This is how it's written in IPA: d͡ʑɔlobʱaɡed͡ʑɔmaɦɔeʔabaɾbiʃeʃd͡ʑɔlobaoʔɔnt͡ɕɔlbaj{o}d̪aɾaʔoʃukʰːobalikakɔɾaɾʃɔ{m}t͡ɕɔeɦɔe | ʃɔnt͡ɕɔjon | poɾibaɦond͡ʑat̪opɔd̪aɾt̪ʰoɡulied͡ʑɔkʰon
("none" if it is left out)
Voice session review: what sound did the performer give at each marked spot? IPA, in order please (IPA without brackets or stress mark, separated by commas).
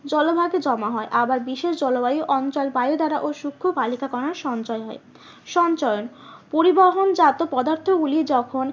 o, n